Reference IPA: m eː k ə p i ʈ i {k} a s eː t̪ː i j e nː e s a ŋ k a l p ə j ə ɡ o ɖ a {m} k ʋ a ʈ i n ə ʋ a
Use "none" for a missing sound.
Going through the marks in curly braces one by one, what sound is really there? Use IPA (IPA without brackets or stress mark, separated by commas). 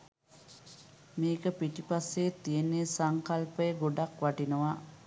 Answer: p, none